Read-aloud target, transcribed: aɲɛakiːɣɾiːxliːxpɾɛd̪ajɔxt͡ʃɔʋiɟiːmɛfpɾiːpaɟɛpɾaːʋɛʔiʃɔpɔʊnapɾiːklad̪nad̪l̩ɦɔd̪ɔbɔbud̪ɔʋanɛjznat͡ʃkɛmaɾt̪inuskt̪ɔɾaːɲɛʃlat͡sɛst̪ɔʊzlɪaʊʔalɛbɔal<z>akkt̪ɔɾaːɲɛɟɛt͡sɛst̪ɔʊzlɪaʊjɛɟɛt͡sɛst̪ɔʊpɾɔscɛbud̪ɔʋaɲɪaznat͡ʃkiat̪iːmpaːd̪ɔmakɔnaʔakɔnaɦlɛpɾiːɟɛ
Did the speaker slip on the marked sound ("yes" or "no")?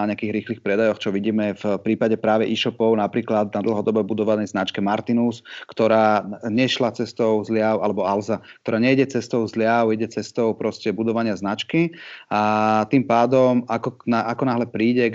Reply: no